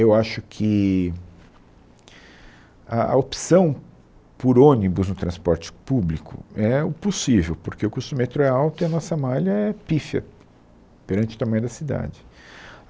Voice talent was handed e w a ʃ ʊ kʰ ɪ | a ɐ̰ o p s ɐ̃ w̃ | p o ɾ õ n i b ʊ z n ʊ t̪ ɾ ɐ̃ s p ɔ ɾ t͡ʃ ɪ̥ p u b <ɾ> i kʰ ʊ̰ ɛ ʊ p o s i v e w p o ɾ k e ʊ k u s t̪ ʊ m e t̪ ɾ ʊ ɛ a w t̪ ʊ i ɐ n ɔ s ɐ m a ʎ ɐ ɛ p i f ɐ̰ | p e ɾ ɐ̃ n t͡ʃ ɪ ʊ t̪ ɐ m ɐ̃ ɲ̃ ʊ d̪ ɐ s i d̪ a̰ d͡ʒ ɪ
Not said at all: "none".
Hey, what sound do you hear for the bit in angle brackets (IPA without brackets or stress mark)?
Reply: l